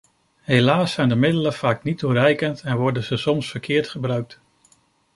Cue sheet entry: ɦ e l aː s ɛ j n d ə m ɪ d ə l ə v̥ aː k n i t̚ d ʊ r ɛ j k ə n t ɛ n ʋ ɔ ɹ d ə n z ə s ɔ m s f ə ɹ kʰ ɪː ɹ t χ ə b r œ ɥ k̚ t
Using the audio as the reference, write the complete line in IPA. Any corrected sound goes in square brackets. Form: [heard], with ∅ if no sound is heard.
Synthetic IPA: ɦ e l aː s ɛ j n d ə m ɪ d ə l ə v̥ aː k n i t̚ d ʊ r ɛ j k ə n t ɛ n ʋ ɔ ɹ d ə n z ə s ɔ m s f ə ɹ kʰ ɪː ɹ t χ ə b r œ ɥ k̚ t